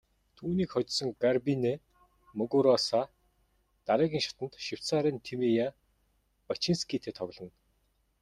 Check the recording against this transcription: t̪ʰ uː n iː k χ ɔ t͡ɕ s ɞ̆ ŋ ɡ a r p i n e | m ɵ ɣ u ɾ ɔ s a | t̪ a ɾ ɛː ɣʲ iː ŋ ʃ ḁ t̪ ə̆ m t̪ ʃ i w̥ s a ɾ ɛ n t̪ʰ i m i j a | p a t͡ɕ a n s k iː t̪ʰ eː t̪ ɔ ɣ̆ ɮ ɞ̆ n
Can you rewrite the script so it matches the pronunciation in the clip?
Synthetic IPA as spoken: t̪ʰ uː n iː k χ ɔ t͡ɕ s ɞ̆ ŋ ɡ a r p i n e | m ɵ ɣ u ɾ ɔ s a | t̪ a ɾ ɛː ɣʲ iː ŋ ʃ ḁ t̪ ə̆ n t̪ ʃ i w̥ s a ɾ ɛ n t̪ʰ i m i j a | p a t͡ɕ i n s k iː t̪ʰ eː t̪ʰ ɔ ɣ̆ ɮ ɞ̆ n